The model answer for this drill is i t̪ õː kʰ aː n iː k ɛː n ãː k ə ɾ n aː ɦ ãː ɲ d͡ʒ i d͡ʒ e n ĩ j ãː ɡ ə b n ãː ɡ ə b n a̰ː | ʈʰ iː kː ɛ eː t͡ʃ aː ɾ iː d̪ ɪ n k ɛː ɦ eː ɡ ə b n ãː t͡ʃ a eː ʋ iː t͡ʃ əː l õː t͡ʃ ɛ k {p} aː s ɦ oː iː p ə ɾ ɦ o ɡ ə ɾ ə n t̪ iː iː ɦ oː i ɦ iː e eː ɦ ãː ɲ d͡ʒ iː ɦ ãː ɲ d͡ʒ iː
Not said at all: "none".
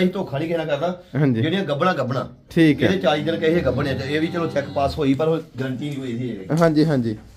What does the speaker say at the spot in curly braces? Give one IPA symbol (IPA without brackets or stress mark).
p